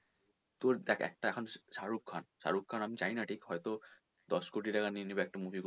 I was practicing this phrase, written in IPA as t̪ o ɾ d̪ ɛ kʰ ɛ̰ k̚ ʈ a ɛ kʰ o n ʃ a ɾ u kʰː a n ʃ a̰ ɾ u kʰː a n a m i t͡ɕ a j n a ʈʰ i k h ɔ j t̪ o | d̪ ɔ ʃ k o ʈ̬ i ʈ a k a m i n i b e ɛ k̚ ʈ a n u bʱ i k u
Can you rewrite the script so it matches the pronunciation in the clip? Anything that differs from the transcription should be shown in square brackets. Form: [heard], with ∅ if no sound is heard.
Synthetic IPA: t̪ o ɾ d̪ ɛ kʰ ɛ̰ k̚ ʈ a ɛ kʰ o n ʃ a ɾ u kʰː a n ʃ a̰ ɾ u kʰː a n a m i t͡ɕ a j n a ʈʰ i k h ɔ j t̪ o | d̪ ɔ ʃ k o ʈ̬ i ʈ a k a [n] i n i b e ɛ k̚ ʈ a [m] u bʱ i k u

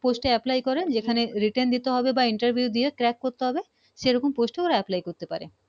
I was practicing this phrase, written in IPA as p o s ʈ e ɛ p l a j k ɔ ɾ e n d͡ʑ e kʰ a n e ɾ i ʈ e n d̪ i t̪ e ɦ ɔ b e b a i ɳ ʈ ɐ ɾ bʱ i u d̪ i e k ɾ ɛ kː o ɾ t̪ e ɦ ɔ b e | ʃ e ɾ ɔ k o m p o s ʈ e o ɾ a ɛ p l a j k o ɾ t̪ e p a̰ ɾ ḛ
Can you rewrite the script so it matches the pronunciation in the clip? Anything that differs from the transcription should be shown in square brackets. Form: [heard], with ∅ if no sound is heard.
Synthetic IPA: p o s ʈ e ɛ p l a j k ɔ ɾ e n d͡ʑ e kʰ a n e ɾ i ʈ e n d̪ i t̪ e ɦ ɔ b e b a i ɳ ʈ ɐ ɾ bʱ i u d̪ i e k ɾ ɛ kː o ɾ t̪ e ɦ ɔ b e | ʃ e ɾ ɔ k o m p o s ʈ e o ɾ a ɛ p l a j k o ɾ t̪ e p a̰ ɾ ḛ

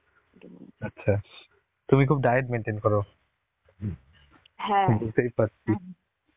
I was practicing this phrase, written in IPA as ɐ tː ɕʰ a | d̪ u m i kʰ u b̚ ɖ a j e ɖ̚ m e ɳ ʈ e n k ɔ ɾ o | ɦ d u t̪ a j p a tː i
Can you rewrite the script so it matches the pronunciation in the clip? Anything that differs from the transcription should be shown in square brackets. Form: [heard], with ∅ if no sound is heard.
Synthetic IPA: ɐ tː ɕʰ a | [t̪] u m i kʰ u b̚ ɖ a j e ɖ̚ m e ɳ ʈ e n k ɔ ɾ o | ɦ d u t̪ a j p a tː i

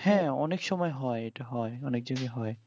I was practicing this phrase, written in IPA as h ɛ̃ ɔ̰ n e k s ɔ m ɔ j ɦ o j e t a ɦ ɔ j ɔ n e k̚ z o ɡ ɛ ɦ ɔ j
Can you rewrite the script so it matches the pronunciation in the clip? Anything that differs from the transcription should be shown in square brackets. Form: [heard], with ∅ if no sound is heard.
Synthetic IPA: h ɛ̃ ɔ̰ n e k s ɔ m ɔ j ɦ [ɔ] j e t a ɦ ɔ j ɔ n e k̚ z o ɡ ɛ ɦ ɔ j

